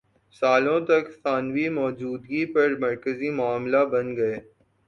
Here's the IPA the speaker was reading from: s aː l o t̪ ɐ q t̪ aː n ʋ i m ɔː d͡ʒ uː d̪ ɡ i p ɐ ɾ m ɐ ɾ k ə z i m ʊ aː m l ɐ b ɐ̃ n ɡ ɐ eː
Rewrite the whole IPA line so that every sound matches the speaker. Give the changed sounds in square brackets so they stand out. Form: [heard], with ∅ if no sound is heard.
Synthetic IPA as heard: s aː l [õ] t̪ ɐ [k] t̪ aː n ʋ i m ɔː d͡ʒ uː d̪ ɡ i p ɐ ɾ m ɐ ɾ k ə z i m ʊ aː m l [a] b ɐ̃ n ɡ ɐ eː

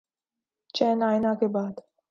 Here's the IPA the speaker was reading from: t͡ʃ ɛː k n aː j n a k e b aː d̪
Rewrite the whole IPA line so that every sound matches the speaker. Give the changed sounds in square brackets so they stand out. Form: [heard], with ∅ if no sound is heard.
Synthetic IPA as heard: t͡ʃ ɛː [∅] n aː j n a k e b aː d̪

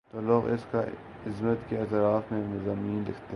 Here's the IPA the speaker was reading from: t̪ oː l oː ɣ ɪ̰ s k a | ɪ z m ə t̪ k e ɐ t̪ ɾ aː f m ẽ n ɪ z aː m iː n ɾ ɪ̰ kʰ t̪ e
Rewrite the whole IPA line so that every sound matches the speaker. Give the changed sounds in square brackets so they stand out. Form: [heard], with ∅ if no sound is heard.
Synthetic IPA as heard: t̪ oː l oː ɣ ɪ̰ s k a | ɪ z m ə t̪ k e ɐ t̪ ɾ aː f m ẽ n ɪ z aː m iː n [l] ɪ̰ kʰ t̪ e

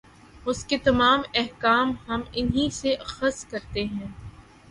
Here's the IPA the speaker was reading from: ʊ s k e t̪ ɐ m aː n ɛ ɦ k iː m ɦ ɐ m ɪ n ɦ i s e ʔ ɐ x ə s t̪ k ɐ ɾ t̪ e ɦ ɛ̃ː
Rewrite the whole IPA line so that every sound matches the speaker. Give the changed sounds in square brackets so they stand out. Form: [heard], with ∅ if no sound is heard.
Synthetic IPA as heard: ʊ s k e t̪ ɐ m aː [m] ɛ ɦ k [aː] m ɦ ɐ m ɪ n ɦ i s e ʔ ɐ x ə s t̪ k ɐ ɾ t̪ e ɦ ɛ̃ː

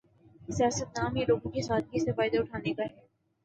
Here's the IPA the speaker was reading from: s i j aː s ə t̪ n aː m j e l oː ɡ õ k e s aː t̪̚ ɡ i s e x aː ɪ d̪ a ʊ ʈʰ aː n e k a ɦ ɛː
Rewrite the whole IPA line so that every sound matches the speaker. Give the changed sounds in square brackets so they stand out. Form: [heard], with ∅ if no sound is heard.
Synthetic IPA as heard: s i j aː s ə t̪ n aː m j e l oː ɡ õ k e s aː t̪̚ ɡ i s e [f] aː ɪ d̪ a ʊ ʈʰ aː n e k a ɦ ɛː

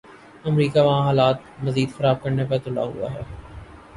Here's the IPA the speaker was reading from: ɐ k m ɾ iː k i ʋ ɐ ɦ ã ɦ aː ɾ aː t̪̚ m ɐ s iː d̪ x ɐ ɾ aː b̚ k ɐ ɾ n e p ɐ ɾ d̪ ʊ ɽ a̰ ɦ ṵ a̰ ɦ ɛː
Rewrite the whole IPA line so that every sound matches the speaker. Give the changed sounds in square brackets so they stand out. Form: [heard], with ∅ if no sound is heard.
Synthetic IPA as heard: ɐ [∅] m ɾ iː k [a] ʋ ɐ ɦ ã ɦ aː [l] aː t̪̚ m ɐ [z] iː d̪ x ɐ ɾ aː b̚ k ɐ ɾ n e p ɐ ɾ [t̪] ʊ [l] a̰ ɦ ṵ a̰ ɦ ɛː

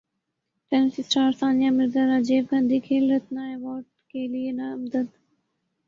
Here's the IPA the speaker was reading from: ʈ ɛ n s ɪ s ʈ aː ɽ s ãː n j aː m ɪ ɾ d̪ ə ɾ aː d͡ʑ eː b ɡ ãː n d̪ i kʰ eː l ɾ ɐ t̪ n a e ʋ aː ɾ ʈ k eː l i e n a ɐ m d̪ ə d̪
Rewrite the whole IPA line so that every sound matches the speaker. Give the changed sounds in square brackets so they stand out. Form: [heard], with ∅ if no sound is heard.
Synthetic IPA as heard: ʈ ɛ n s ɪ s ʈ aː [ɾ] s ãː n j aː m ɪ ɾ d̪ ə ɾ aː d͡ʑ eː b ɡ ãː n d̪ i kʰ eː l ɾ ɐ t̪ n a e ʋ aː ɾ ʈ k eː l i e n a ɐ m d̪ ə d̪

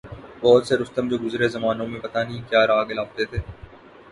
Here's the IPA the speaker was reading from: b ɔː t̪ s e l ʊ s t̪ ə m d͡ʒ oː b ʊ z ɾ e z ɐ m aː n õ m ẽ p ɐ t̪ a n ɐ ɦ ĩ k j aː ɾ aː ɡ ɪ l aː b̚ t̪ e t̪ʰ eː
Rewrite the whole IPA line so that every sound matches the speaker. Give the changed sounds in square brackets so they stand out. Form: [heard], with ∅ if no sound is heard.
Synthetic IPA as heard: b ɔː t̪ s e [ɾ] ʊ s t̪ ə m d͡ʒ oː [ɡ] ʊ z ɾ e z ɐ m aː n õ m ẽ p ɐ t̪ a n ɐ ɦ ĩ k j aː ɾ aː ɡ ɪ l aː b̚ t̪ e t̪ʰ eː

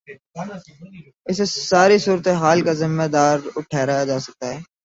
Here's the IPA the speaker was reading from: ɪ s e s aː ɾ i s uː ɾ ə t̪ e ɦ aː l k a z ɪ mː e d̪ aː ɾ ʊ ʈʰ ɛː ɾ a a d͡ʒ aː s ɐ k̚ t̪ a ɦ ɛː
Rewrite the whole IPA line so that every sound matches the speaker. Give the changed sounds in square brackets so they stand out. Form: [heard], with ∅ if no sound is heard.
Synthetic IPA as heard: ɪ s e s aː ɾ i s uː ɾ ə t̪ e ɦ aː l k a z ɪ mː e d̪ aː ɾ ʊ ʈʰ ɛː ɾ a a d͡ʒ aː s ɐ k̚ t̪ a ɦ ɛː

